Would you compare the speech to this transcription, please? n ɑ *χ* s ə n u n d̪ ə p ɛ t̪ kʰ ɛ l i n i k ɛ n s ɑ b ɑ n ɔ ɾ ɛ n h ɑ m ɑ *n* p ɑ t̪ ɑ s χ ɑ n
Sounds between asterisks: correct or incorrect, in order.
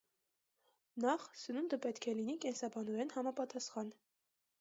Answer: correct, incorrect

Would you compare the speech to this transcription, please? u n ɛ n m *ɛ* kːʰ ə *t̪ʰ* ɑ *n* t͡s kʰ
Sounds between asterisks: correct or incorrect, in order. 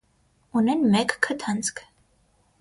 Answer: correct, correct, correct

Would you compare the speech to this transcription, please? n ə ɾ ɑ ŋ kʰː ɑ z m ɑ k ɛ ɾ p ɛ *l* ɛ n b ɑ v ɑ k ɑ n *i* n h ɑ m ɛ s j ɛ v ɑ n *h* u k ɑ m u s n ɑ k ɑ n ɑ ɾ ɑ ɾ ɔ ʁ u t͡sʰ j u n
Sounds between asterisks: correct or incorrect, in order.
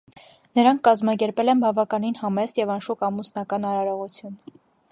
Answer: correct, correct, incorrect

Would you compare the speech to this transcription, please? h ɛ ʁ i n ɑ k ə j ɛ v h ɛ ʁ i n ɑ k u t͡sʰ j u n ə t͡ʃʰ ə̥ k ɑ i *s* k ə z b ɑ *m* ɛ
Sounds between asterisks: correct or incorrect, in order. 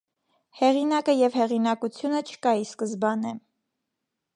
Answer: correct, incorrect

